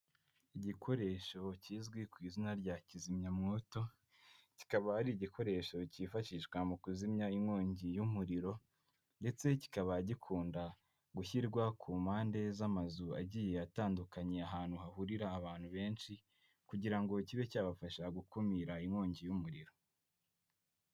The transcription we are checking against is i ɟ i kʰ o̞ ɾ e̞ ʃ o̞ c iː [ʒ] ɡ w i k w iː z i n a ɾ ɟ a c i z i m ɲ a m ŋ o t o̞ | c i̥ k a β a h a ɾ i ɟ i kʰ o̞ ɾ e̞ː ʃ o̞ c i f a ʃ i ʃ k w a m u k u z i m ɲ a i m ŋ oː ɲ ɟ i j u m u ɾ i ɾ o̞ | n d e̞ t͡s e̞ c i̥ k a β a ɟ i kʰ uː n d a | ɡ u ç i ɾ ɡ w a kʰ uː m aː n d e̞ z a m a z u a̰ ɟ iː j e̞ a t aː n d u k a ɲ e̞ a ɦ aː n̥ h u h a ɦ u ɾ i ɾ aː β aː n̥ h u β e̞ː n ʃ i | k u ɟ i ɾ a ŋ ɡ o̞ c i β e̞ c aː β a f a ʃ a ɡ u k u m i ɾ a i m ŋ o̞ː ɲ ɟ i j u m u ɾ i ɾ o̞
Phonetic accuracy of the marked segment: incorrect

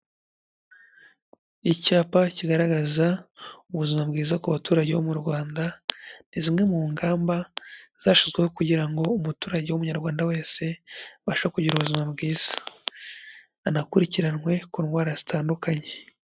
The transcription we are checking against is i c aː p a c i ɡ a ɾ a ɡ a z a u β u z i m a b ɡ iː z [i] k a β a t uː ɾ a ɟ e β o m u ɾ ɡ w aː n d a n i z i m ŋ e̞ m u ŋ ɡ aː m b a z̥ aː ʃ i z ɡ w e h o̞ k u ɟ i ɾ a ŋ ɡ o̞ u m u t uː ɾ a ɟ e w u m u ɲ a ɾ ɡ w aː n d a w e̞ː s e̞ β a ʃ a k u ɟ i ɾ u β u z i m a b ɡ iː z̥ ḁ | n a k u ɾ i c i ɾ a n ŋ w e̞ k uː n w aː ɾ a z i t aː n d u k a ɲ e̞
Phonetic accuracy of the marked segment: incorrect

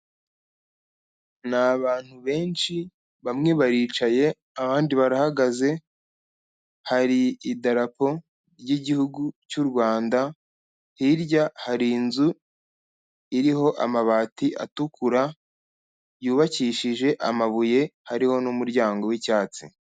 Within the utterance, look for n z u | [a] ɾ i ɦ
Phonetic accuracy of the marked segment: incorrect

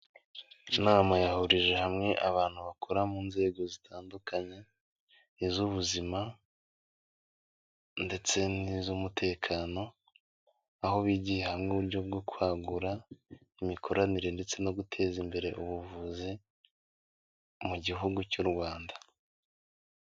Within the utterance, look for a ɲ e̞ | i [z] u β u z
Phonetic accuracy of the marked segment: correct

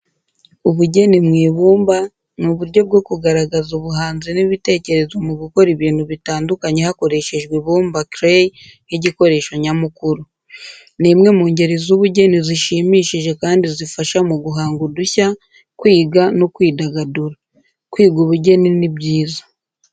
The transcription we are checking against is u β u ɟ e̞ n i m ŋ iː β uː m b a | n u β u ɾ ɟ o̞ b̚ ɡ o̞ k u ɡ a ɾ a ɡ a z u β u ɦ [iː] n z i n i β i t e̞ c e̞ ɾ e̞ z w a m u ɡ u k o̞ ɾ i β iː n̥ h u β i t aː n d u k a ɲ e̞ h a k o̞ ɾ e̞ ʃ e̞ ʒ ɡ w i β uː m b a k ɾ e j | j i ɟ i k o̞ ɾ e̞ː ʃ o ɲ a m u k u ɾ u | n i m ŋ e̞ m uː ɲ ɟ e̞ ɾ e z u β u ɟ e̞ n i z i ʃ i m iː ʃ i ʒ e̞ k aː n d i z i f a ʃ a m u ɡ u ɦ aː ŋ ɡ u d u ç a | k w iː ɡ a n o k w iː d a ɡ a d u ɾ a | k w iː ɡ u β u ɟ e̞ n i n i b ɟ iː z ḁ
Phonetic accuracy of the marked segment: incorrect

